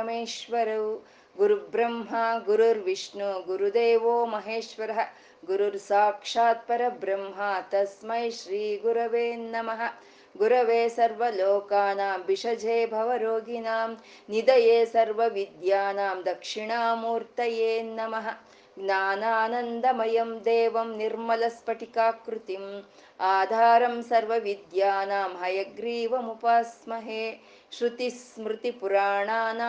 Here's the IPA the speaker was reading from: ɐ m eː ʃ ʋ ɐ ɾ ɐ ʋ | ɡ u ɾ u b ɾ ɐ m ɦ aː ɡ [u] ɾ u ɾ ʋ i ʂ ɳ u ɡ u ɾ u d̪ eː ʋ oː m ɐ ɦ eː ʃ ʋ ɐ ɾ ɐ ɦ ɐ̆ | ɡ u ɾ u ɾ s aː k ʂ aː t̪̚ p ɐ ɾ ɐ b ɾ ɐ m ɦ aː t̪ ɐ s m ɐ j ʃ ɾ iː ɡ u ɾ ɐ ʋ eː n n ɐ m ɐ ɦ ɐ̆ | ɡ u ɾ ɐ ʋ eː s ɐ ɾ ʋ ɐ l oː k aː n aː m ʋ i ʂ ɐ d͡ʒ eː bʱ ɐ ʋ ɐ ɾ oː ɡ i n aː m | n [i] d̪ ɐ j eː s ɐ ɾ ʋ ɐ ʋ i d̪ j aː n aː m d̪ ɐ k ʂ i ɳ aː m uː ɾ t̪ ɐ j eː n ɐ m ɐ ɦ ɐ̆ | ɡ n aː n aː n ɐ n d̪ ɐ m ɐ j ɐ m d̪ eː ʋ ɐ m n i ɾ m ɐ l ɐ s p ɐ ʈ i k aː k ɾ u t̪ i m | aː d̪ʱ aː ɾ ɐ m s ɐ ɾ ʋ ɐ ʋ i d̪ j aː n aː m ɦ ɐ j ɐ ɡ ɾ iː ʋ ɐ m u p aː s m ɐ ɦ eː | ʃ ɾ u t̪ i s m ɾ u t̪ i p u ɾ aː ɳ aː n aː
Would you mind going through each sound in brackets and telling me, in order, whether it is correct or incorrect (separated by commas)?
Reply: correct, correct